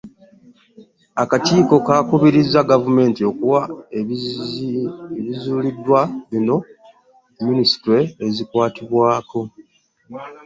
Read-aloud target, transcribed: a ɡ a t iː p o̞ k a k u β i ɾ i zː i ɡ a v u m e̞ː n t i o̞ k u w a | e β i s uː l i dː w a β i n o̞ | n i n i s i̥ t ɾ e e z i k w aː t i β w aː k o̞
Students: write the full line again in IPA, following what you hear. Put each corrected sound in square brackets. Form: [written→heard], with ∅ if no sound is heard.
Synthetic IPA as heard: a [ɡ→k] a t iː [p→k] o̞ k a k u β i ɾ i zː [i→a] ɡ a v u m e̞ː n t i o̞ k u w a | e β i [s→z] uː l i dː w a β i n o̞ | [n→m] i n i s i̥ t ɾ e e z i k w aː t i β w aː k o̞